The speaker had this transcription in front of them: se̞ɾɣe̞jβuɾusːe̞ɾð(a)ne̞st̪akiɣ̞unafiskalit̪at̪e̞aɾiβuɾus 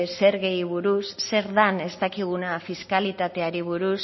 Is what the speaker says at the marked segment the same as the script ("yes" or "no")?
yes